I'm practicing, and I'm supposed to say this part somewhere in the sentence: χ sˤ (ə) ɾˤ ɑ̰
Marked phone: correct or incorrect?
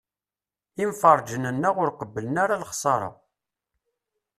incorrect